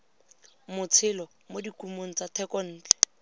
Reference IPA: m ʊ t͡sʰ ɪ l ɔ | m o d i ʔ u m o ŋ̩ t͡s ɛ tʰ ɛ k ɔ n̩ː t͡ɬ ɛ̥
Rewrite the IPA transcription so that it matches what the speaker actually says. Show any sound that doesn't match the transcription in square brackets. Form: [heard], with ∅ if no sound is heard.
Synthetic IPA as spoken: m ʊ t͡sʰ ɪ l ɔ | m o d i [k] u m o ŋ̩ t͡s [a] tʰ ɛ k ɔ n̩ː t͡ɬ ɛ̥